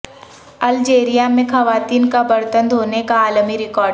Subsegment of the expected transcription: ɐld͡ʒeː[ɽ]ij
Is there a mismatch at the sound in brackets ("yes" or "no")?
yes